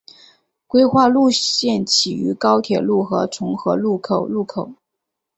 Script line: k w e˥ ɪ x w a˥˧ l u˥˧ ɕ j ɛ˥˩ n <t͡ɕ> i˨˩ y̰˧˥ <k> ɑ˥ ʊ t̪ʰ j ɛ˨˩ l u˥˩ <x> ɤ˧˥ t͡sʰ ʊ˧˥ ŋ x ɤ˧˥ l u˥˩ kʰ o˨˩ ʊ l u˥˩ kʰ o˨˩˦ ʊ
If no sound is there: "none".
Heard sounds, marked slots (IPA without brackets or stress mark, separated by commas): t͡ɕʰ, k, x